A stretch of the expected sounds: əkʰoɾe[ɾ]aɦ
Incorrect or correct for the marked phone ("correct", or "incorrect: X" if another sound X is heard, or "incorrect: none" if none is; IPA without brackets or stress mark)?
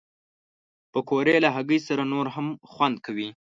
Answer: incorrect: l